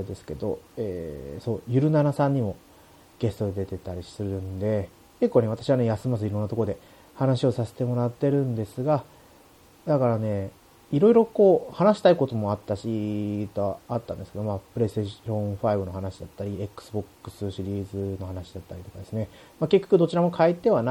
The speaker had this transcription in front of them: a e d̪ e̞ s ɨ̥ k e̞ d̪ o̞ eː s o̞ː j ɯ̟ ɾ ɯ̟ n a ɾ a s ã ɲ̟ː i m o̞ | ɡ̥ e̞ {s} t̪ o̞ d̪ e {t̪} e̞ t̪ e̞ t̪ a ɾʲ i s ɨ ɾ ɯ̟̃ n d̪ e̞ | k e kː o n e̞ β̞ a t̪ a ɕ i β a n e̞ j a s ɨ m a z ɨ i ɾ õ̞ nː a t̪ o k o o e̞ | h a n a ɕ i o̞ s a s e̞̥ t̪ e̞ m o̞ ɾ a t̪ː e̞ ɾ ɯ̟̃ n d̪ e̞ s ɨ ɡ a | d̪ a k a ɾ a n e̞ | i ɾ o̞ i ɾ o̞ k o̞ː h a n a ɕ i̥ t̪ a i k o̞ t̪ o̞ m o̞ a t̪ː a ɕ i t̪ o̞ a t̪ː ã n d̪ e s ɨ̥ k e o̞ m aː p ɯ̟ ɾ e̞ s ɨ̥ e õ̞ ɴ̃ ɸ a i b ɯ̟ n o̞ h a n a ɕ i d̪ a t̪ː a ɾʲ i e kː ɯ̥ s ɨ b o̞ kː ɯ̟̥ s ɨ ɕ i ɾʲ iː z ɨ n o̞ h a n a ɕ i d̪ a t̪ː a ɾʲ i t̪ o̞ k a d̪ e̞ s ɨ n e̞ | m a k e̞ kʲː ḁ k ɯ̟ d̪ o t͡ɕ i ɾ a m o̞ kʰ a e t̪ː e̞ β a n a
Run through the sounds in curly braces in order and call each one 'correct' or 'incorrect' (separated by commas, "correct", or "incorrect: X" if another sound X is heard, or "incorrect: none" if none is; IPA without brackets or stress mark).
correct, incorrect: d̪